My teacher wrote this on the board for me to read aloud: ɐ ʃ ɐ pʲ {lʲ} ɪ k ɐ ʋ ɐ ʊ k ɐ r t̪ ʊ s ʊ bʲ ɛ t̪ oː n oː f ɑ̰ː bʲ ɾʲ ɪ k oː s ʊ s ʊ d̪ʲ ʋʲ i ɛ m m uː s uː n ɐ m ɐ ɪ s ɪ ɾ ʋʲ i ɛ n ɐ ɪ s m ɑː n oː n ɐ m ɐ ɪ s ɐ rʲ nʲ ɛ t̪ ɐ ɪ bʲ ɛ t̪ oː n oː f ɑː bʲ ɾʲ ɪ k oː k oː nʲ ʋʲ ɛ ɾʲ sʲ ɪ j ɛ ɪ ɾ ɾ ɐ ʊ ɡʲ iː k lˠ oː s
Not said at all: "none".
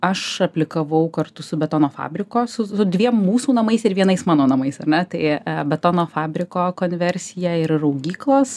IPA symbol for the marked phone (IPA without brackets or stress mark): lʲ